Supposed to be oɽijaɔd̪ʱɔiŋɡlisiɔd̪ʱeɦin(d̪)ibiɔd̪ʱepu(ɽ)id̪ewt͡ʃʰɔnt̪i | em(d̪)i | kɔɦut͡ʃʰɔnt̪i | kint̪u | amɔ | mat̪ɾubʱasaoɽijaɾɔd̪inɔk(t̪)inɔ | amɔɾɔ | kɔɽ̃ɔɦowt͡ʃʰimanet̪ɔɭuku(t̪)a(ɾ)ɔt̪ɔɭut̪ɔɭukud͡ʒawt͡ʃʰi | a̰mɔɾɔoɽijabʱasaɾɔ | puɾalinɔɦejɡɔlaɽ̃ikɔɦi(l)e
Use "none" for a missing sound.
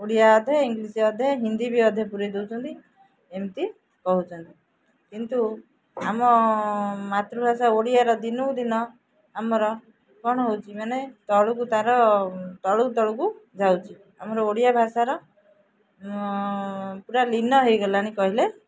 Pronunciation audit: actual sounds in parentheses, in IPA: d̪, ɾ, t̪, d̪, t̪, ɾ, l

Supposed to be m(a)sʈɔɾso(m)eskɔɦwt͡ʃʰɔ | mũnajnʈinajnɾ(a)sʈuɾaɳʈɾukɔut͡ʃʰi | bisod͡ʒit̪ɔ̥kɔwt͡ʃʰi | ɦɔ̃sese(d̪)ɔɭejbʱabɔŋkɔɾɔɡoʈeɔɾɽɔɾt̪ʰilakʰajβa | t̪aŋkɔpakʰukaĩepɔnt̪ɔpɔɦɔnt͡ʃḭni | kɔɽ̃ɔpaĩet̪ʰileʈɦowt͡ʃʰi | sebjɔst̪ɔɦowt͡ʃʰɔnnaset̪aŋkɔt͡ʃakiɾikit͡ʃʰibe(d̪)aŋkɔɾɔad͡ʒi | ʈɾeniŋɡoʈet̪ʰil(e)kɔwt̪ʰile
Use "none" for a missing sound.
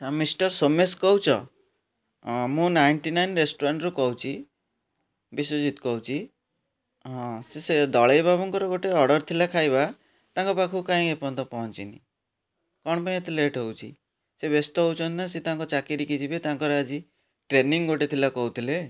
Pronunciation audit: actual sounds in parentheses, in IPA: i, m, e, d̪, t̪, a

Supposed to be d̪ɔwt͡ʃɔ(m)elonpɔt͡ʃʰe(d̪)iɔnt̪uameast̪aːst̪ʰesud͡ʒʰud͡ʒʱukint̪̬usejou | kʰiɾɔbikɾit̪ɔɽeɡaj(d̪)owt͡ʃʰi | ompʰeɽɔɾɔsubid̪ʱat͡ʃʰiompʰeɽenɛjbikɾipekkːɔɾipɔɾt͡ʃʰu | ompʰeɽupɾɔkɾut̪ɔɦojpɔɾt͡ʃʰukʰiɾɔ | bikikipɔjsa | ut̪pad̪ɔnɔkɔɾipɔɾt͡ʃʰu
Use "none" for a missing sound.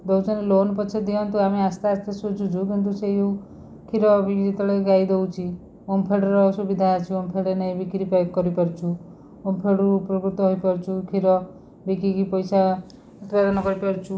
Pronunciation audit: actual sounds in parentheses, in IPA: n, d̪, d̪

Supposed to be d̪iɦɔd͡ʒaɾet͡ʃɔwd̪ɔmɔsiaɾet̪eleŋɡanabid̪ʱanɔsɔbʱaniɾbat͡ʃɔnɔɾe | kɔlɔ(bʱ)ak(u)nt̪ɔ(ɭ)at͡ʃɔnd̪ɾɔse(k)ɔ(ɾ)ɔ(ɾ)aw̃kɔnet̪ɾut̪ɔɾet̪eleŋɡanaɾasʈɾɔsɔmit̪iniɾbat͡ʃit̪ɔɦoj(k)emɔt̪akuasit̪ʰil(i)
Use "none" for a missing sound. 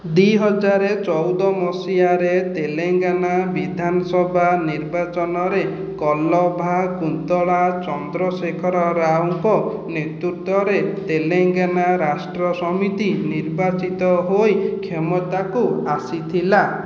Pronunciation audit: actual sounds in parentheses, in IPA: bʱ, u, ɭ, kʰ, ɾ, ɾ, kʰ, a

